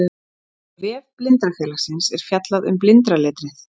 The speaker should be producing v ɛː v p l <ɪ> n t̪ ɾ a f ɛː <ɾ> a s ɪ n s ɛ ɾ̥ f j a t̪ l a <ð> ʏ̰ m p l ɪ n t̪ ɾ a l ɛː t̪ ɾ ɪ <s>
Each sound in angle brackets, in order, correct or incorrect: correct, incorrect, correct, incorrect

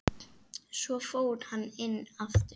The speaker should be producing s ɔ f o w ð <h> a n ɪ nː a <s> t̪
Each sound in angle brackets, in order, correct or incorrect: correct, incorrect

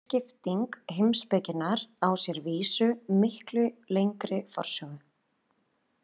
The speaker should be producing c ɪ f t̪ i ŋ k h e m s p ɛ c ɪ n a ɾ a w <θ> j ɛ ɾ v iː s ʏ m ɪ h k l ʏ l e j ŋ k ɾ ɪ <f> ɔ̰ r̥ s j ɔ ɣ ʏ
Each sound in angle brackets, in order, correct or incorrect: incorrect, correct

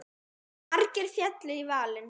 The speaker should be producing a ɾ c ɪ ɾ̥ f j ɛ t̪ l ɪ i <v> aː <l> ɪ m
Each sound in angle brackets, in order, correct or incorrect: correct, correct

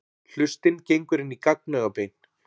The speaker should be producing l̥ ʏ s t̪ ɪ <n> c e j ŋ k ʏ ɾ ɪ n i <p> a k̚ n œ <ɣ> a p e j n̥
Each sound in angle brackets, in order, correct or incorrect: correct, incorrect, correct

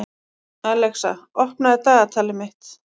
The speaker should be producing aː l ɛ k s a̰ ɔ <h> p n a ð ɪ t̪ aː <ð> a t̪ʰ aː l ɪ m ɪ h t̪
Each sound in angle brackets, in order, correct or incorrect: correct, incorrect

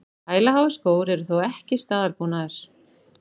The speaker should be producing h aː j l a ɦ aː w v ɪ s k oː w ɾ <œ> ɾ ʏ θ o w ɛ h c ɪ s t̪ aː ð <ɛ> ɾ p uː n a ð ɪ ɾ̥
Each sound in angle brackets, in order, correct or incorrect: incorrect, incorrect

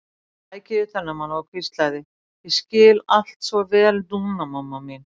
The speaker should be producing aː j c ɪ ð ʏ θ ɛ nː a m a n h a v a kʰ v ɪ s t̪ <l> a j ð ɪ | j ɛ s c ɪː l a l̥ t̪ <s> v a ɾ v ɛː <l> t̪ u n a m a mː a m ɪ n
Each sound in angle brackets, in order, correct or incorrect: correct, correct, correct

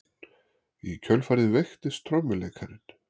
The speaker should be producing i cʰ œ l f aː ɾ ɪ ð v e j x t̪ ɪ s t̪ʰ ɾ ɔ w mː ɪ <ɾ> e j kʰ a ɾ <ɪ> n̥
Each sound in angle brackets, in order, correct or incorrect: incorrect, correct

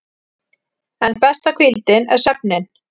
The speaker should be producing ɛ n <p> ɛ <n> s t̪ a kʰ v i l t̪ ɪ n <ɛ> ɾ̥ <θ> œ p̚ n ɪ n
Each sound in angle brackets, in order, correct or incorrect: correct, incorrect, correct, incorrect

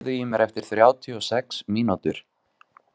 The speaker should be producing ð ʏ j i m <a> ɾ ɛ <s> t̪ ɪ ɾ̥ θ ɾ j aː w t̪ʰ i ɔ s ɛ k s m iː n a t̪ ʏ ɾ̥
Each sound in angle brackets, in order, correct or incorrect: incorrect, incorrect

